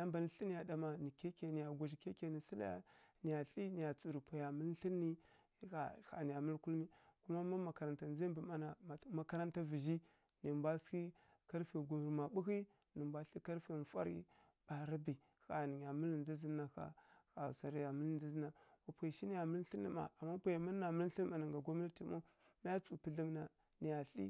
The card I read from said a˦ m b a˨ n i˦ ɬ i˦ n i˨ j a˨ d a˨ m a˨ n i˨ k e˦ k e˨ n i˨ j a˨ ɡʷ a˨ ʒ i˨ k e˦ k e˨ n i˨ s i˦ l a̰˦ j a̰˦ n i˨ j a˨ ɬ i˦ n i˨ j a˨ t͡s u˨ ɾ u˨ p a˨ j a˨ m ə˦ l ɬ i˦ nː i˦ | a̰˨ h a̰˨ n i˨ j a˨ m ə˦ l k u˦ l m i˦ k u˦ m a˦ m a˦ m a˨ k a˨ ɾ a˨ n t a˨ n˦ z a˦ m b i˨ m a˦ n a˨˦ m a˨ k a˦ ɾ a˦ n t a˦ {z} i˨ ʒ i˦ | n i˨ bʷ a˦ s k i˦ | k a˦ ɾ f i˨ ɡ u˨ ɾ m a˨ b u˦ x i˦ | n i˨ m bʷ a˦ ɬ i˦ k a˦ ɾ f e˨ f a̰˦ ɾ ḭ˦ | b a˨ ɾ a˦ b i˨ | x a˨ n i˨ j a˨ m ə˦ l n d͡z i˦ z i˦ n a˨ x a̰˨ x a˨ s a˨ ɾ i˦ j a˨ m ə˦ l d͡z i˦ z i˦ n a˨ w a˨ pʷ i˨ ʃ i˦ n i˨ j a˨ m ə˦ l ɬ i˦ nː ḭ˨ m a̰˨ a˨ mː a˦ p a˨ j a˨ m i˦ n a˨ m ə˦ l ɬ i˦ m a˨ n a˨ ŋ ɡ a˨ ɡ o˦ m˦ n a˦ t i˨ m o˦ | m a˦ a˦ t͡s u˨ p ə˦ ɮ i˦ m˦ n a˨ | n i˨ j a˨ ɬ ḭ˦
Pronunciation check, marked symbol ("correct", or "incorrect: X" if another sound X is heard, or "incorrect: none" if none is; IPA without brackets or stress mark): incorrect: v